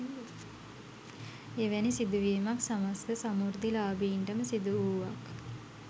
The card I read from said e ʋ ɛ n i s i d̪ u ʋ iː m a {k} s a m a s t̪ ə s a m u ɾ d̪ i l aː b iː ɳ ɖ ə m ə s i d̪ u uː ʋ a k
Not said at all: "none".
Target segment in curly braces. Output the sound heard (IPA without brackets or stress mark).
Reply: k